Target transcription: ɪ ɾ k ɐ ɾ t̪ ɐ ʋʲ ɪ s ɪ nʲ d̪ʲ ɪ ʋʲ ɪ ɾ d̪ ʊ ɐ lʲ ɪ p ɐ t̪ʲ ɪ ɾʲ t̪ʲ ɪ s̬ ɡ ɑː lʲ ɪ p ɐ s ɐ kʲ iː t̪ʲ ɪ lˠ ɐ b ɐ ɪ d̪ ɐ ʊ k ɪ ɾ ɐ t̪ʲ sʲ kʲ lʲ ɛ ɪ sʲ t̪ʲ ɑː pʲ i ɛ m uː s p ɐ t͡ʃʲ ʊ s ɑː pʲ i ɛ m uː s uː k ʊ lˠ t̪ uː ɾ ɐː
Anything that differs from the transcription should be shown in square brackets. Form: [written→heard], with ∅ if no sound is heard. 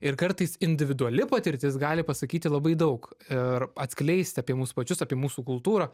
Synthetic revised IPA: ɪ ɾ k ɐ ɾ t̪ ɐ [ʋʲ→∅] ɪ s ɪ nʲ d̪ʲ ɪ ʋʲ ɪ [ɾ→∅] d̪ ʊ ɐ lʲ ɪ p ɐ t̪ʲ ɪ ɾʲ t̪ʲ ɪ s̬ ɡ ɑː lʲ ɪ p ɐ s ɐ kʲ iː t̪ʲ ɪ lˠ ɐ b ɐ ɪ d̪ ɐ ʊ k ɪ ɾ ɐ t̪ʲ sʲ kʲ lʲ ɛ ɪ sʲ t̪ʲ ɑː pʲ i ɛ m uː s p ɐ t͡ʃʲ ʊ s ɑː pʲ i ɛ m uː s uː k ʊ lˠ t̪ uː ɾ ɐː